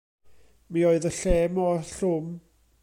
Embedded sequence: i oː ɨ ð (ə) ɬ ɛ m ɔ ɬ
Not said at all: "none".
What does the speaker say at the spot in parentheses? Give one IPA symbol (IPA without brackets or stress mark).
ə